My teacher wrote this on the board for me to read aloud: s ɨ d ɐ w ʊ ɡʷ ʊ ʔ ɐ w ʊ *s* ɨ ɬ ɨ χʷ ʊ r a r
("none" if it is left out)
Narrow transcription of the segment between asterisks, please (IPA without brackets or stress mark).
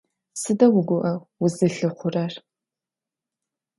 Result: z